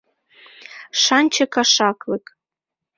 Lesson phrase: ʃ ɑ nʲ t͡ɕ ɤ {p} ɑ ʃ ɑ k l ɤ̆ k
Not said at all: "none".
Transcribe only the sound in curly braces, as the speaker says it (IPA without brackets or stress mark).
k